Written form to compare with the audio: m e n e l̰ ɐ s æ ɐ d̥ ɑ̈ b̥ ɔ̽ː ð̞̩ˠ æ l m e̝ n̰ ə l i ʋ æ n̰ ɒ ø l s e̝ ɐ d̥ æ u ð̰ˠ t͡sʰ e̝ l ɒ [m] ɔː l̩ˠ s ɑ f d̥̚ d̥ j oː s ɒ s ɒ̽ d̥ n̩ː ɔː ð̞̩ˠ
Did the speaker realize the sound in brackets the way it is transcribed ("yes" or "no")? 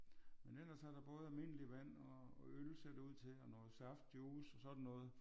no